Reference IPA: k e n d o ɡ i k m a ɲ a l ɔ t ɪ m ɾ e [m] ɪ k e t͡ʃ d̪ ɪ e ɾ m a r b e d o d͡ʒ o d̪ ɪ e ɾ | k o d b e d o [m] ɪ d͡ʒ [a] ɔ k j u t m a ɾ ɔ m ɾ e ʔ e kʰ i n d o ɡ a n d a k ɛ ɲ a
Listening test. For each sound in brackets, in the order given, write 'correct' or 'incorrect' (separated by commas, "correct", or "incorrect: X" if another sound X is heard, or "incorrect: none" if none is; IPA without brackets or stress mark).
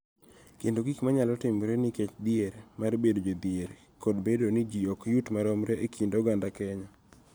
incorrect: n, incorrect: n, incorrect: i